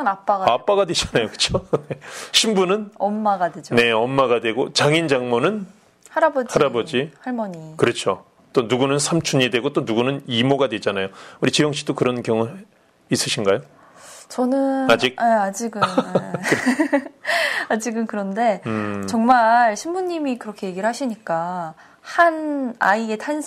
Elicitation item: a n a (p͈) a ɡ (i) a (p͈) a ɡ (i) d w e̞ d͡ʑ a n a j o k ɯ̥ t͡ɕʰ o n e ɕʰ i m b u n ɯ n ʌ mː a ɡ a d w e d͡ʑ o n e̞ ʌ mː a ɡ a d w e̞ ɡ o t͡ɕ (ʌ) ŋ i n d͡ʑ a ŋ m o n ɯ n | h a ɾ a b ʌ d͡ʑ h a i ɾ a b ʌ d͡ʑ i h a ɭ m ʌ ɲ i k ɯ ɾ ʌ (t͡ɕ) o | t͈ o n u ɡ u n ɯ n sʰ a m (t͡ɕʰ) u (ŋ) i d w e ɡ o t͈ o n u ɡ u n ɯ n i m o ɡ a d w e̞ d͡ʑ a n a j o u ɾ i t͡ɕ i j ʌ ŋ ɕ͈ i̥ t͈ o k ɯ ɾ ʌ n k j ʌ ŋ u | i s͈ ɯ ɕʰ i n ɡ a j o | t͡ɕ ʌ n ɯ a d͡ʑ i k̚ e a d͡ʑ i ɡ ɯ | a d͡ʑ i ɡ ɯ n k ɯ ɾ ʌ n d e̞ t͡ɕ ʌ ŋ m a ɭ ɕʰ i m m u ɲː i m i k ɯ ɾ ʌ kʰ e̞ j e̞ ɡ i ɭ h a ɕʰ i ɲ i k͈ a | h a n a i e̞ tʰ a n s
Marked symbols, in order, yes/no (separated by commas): yes, no, yes, no, no, no, yes, no